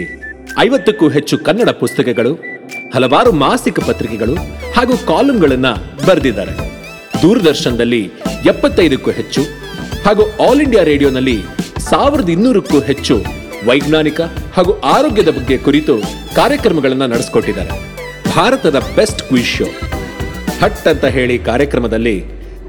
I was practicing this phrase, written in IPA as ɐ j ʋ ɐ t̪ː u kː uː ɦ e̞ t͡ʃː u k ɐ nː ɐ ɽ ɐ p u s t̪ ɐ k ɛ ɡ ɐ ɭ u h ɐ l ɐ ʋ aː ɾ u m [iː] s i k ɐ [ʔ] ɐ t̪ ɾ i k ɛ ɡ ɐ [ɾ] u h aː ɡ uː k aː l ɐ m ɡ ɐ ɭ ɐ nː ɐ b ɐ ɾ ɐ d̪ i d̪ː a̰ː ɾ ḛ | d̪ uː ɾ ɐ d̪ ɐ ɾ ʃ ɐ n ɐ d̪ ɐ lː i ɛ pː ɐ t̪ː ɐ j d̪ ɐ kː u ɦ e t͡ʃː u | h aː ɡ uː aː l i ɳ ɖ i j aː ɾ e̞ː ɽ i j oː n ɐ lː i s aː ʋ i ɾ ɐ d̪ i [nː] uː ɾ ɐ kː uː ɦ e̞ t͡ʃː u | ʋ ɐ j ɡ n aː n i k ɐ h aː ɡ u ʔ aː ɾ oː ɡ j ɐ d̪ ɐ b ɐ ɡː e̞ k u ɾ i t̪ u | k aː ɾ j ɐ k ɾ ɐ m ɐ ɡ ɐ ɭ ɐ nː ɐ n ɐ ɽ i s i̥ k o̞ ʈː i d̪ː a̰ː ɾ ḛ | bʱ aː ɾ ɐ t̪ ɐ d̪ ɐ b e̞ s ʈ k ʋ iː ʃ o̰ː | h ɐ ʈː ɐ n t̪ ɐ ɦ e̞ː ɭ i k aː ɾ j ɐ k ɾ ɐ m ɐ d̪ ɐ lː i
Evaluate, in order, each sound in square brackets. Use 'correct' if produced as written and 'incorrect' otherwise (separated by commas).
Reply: incorrect, incorrect, incorrect, correct